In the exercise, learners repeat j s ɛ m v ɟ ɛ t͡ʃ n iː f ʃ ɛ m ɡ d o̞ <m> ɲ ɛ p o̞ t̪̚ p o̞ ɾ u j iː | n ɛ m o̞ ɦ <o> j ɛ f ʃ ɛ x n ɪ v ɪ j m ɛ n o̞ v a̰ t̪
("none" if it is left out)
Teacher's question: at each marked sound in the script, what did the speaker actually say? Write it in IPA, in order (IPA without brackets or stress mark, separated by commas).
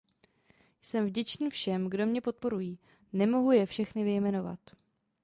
m, u